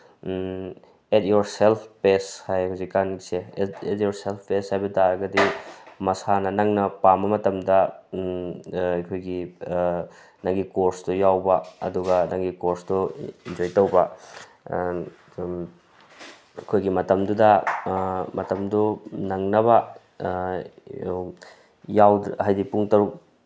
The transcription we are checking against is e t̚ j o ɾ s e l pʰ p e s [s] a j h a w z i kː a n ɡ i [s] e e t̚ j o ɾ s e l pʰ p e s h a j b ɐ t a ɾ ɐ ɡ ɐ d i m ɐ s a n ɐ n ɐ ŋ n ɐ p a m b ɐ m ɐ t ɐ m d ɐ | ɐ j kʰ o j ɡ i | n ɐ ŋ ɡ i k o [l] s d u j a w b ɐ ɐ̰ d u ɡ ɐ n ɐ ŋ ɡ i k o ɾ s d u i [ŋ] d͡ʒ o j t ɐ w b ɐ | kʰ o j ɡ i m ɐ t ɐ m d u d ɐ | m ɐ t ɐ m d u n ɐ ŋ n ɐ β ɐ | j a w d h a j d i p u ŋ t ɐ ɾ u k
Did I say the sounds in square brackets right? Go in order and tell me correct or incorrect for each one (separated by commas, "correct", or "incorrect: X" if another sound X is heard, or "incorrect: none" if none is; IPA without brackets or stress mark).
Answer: incorrect: h, correct, incorrect: ɾ, incorrect: n